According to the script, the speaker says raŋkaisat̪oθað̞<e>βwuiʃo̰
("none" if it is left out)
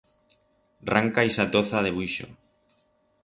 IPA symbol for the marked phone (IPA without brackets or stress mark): e